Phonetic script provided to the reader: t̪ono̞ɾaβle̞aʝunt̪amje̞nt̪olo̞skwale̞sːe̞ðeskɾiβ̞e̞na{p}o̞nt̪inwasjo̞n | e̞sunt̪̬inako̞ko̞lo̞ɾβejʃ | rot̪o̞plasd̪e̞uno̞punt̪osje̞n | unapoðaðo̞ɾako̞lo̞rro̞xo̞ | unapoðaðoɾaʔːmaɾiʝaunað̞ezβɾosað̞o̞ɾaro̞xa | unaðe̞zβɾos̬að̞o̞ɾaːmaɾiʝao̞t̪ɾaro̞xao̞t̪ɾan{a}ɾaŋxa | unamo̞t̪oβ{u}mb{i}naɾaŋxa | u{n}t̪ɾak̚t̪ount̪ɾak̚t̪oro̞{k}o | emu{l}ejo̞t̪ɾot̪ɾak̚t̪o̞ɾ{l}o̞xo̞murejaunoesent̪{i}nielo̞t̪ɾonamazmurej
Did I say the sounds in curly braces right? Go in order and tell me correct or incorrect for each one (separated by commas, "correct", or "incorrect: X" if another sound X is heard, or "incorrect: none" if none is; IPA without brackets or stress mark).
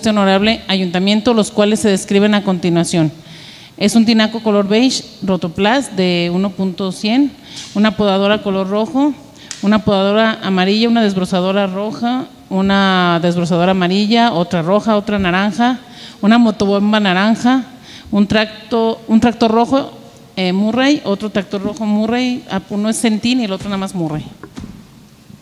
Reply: incorrect: k, correct, incorrect: o, incorrect: a, correct, incorrect: x, incorrect: r, incorrect: r, correct